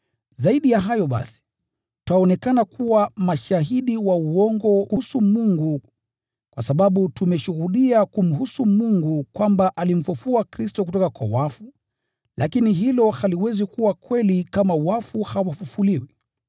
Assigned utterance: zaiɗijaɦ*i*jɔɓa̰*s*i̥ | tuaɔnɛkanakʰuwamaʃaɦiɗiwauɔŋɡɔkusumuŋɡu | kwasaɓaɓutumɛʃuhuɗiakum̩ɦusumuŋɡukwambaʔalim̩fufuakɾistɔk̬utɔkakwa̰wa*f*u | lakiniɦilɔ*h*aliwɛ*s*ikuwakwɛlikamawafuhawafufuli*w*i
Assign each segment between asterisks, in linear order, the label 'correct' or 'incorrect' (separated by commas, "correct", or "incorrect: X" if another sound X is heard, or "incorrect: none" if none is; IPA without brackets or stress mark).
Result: incorrect: a, correct, correct, correct, incorrect: z, correct